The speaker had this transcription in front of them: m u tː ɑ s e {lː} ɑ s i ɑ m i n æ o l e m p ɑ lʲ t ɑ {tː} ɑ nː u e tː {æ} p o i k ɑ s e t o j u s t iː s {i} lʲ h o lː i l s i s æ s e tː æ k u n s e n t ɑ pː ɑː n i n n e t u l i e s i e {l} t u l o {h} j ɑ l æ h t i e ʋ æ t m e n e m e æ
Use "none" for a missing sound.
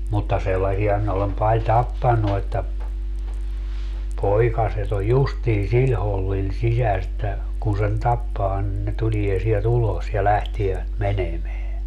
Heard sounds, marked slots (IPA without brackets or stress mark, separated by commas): lː, pː, æ, i, l, s